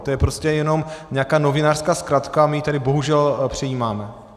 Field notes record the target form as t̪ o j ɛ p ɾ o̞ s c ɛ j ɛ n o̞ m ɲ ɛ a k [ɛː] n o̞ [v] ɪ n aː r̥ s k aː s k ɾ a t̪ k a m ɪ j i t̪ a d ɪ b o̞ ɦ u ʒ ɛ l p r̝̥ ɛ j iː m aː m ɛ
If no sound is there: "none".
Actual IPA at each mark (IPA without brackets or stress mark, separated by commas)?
aː, v